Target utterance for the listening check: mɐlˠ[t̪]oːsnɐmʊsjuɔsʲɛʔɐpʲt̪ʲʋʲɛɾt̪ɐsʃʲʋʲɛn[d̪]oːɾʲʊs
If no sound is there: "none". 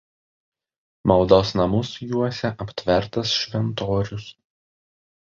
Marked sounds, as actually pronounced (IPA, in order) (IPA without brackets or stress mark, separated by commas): d̪, t̪